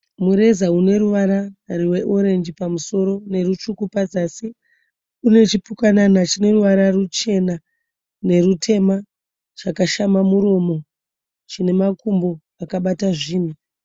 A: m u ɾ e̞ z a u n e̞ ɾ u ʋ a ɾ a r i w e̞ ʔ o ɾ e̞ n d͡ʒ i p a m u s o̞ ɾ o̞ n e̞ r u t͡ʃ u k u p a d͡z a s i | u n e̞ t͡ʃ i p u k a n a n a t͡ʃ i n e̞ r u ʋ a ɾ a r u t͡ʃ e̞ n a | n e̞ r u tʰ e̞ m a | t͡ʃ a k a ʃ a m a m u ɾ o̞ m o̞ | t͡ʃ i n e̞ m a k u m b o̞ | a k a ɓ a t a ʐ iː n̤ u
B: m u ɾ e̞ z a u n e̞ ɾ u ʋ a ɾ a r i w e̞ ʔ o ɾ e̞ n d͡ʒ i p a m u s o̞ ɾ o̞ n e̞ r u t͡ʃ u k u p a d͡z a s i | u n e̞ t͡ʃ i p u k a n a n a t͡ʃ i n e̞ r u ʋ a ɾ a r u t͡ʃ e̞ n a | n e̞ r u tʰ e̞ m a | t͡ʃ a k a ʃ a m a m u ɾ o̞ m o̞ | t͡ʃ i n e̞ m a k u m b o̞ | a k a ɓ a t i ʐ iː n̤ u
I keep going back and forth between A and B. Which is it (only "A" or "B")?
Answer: A